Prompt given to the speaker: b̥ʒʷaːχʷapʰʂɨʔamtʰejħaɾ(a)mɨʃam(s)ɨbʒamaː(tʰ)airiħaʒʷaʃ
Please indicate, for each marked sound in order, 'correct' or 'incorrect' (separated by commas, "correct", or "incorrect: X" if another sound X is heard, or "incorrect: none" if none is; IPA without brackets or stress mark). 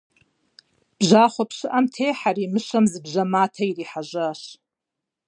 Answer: incorrect: i, incorrect: z, correct